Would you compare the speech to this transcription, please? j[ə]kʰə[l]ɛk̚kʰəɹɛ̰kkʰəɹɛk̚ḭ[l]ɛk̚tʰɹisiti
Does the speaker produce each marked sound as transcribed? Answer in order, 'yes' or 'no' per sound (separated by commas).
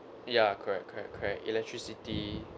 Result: no, no, yes